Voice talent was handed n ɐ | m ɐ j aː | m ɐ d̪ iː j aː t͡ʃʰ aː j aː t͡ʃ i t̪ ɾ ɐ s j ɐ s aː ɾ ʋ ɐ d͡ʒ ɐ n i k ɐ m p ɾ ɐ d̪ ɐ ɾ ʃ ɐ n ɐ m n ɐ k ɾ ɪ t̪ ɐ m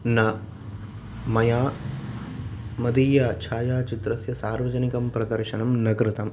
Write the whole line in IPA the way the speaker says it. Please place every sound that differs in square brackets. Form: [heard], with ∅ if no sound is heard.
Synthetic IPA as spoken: n ɐ | m ɐ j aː | m ɐ d̪ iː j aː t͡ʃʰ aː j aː t͡ʃ i t̪ ɾ ɐ s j ɐ s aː ɾ ʋ ɐ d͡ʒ ɐ n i k ɐ m p ɾ ɐ d̪ ɐ ɾ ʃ ɐ n ɐ m n ɐ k ɾ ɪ t̪ ɐ m

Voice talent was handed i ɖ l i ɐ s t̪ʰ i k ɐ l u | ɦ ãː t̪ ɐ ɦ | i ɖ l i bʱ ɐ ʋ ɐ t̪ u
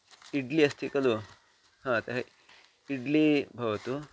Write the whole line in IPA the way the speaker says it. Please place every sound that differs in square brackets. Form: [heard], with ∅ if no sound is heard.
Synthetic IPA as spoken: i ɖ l i ɐ s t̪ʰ i k ɐ l u | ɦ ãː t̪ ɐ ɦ | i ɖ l i bʱ ɐ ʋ ɐ t̪ u

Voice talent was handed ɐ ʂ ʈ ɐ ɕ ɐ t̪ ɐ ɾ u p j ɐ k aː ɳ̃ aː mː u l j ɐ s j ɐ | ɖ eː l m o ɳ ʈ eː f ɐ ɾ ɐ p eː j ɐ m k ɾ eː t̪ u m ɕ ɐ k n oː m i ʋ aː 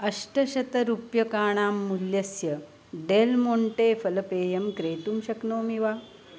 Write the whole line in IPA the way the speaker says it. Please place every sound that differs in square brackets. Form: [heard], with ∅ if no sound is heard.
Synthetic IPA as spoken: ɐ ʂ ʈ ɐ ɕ ɐ t̪ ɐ ɾ u p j ɐ k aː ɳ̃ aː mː u l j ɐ s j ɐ | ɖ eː l m o ɳ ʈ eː f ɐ [l] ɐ p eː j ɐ m k ɾ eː t̪ u m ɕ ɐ k n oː m i ʋ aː

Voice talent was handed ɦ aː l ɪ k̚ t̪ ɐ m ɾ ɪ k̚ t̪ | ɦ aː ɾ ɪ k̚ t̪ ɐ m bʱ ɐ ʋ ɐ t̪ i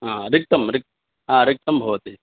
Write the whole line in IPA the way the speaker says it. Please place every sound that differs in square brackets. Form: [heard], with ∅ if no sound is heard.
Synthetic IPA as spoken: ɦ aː [ɾ] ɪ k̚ t̪ ɐ m ɾ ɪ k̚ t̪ | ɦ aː ɾ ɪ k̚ t̪ ɐ m bʱ ɐ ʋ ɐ t̪ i

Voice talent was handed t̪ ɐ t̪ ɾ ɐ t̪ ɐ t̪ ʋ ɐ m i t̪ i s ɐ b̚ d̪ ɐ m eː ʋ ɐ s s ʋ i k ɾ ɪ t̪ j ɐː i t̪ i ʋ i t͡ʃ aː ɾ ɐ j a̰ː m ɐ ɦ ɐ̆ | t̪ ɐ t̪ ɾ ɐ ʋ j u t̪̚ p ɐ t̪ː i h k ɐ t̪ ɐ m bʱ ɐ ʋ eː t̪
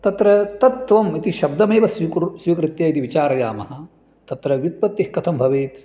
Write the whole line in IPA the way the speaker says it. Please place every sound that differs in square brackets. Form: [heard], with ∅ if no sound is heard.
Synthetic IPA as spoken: t̪ ɐ t̪ ɾ ɐ t̪ ɐ t̪ ʋ ɐ m i t̪ i [ʃ] ɐ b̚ d̪ ɐ m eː ʋ ɐ s s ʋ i k ɾ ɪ t̪ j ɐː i t̪ i ʋ i t͡ʃ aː ɾ ɐ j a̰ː m ɐ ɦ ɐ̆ | t̪ ɐ t̪ ɾ ɐ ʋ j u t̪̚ p ɐ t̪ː i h k ɐ [t̪ʰ] ɐ m bʱ ɐ ʋ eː t̪

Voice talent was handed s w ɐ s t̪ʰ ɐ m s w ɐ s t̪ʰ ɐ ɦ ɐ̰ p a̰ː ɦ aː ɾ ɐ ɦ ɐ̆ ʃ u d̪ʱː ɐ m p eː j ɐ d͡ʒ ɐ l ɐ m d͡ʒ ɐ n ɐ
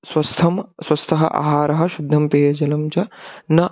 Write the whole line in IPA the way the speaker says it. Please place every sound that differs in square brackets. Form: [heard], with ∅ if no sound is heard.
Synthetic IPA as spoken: s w ɐ s t̪ʰ ɐ m s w ɐ s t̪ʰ ɐ ɦ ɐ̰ [ʔ] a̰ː ɦ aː ɾ ɐ ɦ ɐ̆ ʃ u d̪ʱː ɐ m p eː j ɐ d͡ʒ ɐ l ɐ m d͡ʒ ɐ n ɐ

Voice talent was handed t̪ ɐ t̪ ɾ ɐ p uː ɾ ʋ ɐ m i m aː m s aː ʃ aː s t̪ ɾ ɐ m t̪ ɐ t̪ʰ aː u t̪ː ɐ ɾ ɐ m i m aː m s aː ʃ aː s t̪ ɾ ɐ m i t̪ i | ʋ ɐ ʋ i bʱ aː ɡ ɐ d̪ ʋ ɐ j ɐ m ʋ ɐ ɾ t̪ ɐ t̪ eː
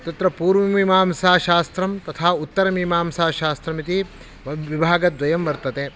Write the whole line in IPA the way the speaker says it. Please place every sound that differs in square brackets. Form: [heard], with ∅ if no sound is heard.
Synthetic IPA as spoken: t̪ ɐ t̪ ɾ ɐ p uː ɾ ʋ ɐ m i m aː m s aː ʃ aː s t̪ ɾ ɐ m t̪ ɐ t̪ʰ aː u t̪ː ɐ ɾ ɐ m i m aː m s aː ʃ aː s t̪ ɾ ɐ m i t̪ i | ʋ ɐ ʋ i bʱ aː ɡ ɐ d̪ ʋ ɐ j ɐ m ʋ ɐ ɾ t̪ ɐ t̪ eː

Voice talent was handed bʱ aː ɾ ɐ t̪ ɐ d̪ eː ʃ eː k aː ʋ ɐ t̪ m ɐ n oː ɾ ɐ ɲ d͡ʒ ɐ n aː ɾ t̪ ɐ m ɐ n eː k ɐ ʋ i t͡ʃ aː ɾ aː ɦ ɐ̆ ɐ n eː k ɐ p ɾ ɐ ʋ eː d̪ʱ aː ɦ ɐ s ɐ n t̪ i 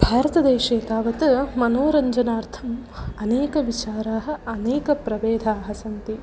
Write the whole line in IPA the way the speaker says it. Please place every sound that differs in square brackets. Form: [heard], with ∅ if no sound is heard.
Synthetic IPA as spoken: bʱ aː ɾ ɐ t̪ ɐ d̪ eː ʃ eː k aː ʋ ɐ t̪ m ɐ n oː ɾ ɐ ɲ d͡ʒ ɐ n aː ɾ [t̪ʰ] ɐ m ɐ n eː k ɐ ʋ i t͡ʃ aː ɾ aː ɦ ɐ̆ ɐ n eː k ɐ p ɾ ɐ ʋ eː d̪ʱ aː ɦ ɐ s ɐ n t̪ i

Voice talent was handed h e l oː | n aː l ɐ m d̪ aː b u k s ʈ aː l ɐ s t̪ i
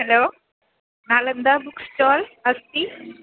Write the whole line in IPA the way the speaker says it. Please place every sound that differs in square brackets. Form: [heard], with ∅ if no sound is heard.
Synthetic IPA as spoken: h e l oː | n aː l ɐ [n] d̪ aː b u k s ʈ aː l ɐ s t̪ i

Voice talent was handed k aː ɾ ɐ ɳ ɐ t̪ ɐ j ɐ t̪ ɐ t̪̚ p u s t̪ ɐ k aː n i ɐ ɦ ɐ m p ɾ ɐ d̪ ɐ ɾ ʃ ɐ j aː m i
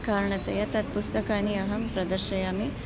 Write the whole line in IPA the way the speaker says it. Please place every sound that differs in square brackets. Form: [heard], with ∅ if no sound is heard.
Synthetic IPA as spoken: k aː ɾ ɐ ɳ ɐ t̪ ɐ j ɐ t̪ ɐ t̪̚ p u s t̪ ɐ k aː n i ɐ ɦ ɐ m p ɾ ɐ d̪ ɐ ɾ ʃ ɐ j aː m i

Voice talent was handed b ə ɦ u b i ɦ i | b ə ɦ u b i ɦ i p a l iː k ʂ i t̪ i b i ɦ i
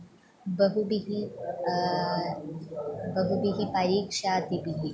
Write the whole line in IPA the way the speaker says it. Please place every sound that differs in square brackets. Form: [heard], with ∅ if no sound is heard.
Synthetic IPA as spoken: b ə ɦ u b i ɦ i | b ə ɦ u b i ɦ i p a [ɾ] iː k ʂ [a] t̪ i b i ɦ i

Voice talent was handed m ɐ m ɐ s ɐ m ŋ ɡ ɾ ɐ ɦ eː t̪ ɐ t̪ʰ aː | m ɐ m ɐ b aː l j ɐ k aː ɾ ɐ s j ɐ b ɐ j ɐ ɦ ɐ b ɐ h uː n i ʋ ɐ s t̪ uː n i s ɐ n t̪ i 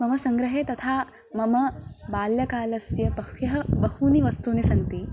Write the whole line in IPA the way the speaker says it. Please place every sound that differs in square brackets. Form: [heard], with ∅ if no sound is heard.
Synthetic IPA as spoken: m ɐ m ɐ s ɐ [∅] ŋ ɡ ɾ ɐ ɦ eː t̪ ɐ t̪ʰ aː | m ɐ m ɐ b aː l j ɐ k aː [l] ɐ s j ɐ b ɐ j ɐ ɦ ɐ b ɐ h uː n i ʋ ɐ s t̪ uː n i s ɐ n t̪ i

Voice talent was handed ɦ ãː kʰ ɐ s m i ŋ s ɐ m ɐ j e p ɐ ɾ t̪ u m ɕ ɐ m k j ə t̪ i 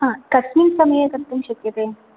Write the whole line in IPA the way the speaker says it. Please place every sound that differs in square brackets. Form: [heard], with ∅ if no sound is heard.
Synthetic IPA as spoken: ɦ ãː [k] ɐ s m i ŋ s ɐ m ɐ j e [k] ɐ ɾ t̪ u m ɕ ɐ [∅] k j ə t̪ [e]

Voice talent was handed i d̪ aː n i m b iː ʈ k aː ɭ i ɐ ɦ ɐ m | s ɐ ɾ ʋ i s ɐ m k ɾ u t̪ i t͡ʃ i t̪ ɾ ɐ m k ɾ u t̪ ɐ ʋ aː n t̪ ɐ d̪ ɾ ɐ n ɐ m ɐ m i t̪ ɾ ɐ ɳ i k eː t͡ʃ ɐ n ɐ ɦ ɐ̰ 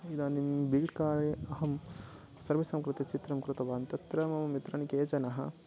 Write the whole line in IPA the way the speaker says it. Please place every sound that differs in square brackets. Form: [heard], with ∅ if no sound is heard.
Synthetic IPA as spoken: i d̪ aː n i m b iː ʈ k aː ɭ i ɐ ɦ ɐ m | s ɐ ɾ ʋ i s ɐ m k ɾ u t̪ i t͡ʃ i t̪ ɾ ɐ m k ɾ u t̪ ɐ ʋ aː n t̪ ɐ [t̪] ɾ ɐ [m] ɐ m ɐ m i t̪ ɾ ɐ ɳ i k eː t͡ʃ ɐ n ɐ ɦ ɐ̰

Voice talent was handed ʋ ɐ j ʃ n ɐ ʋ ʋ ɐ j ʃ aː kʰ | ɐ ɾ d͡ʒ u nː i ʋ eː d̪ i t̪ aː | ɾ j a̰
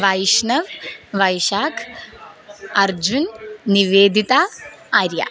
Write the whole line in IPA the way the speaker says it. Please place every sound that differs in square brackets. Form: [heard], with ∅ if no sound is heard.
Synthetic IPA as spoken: ʋ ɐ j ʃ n ɐ ʋ ʋ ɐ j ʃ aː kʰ | ɐ ɾ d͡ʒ u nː i ʋ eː d̪ i t̪ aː | ɾ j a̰

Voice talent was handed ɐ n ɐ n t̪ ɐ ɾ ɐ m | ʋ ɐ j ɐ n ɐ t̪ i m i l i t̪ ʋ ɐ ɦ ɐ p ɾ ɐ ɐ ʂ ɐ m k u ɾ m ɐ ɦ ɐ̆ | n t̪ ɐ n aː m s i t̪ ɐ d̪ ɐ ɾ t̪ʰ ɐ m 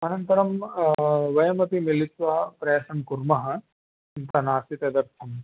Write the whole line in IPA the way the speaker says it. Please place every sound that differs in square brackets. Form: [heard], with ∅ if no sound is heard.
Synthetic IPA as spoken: ɐ n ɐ n t̪ ɐ ɾ ɐ m | ʋ ɐ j ɐ [m] ɐ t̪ i m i l i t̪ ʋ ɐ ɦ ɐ p ɾ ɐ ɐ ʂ ɐ m k u ɾ m ɐ ɦ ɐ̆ | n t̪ ɐ n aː [∅] s i t̪ ɐ d̪ ɐ ɾ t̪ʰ ɐ m

